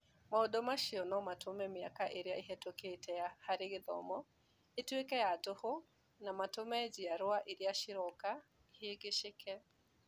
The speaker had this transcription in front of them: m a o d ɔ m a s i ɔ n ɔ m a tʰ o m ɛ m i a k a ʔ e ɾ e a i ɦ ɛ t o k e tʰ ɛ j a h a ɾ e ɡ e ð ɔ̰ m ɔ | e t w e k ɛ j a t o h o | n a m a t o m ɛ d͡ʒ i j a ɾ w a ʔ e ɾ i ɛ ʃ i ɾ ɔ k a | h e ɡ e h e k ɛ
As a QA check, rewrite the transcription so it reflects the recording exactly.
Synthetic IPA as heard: m a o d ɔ m a ʃ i ɔ n ɔ m a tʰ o m ɛ m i a k a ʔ e ɾ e a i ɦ ɛ t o k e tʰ ɛ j a h a ɾ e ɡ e ð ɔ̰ m ɔ | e t w e k ɛ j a t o h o | n a m a t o m ɛ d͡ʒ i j a ɾ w a ʔ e ɾ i a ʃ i ɾ ɔ k a | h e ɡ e ʃ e k ɛ